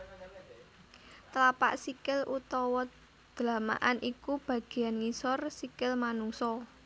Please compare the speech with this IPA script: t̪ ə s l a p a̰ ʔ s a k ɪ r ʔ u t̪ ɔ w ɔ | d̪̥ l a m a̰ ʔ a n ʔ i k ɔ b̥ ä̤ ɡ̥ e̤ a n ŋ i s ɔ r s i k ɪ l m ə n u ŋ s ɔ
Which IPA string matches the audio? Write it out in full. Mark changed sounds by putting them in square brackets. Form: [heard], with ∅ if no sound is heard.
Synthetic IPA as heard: t̪ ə [∅] l a p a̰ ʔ s [i] k ɪ [l] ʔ u t̪ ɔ w ɔ | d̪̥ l a m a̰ ʔ a n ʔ i k [u] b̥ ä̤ ɡ̥ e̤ a n ŋ i s ɔ r s i k ɪ l m [a] n u ŋ s ɔ